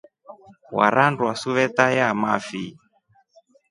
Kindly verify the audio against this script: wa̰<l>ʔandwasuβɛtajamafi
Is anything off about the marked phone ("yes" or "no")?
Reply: yes